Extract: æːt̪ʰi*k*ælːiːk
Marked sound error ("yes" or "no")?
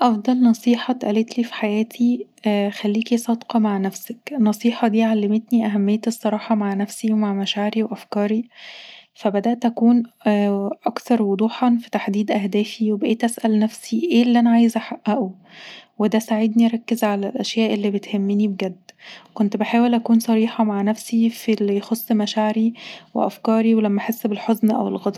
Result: yes